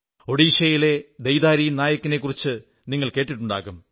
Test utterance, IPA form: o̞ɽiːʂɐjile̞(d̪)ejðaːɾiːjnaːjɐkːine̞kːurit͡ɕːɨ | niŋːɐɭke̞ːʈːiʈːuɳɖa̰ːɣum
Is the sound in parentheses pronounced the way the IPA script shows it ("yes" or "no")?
yes